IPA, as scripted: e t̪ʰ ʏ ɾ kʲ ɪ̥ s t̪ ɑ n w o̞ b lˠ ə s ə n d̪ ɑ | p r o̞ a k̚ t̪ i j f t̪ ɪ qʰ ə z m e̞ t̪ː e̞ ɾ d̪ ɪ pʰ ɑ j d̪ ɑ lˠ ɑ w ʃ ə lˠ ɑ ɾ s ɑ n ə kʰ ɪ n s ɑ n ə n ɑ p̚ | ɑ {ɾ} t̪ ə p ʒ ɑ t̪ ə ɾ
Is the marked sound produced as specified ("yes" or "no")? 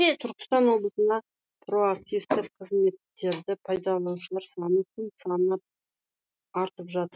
yes